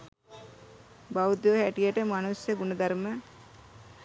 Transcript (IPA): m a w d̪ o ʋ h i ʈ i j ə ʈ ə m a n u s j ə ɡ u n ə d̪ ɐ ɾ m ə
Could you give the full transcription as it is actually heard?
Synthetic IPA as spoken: b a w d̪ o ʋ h æ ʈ i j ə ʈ ə m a n u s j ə ɡ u n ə d̪ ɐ ɾ m ə